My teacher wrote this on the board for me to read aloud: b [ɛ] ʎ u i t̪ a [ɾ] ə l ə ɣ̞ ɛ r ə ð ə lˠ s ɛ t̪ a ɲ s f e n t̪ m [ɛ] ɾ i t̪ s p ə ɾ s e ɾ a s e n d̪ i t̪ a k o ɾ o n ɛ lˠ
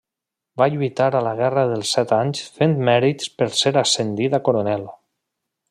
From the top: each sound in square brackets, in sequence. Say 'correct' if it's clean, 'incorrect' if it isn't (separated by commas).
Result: incorrect, correct, correct